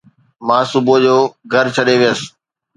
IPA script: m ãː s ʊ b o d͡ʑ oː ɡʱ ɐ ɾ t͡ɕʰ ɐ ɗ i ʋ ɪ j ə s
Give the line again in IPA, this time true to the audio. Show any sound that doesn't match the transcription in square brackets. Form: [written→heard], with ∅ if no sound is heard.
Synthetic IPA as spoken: m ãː s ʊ b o d͡ʑ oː ɡʱ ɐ ɾ t͡ɕʰ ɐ ɗ [i→e] ʋ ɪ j ə s